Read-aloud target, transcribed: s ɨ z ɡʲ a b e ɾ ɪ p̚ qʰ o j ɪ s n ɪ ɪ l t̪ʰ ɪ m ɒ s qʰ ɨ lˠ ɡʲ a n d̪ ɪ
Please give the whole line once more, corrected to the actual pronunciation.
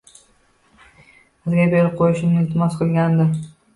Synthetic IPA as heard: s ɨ z ɡʲ a b e ɾ ɪ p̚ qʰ o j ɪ ʃ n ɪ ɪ l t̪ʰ ɪ m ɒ s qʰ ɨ lˠ ɡʲ a n d̪ ɪ